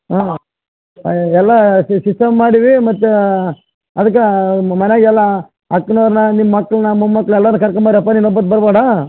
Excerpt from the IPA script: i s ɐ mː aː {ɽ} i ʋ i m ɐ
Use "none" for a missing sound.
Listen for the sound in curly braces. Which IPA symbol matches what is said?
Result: ɽ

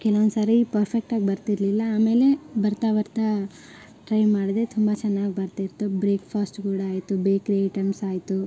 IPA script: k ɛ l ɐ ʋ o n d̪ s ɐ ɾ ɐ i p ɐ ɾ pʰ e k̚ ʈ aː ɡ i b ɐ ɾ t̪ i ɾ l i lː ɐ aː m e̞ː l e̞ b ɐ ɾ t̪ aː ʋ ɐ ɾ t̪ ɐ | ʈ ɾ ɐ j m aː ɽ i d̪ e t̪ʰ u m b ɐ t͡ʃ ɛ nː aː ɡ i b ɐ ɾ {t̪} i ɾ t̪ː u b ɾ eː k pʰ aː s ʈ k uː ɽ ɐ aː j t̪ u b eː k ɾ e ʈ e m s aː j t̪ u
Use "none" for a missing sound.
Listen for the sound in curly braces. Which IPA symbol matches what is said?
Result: t̪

